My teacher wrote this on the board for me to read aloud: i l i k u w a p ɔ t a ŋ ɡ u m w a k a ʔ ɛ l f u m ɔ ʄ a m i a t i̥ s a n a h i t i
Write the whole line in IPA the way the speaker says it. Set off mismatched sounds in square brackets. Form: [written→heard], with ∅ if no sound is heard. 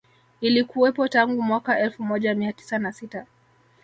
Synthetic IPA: i l i k u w [a→ɛ] p ɔ t a ŋ ɡ u m w a k a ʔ ɛ l f u m ɔ ʄ a m i a t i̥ s a n a [h→s] i t [i→a]